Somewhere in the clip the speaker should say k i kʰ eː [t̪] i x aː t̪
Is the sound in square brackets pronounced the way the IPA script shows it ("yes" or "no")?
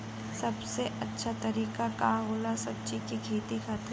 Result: yes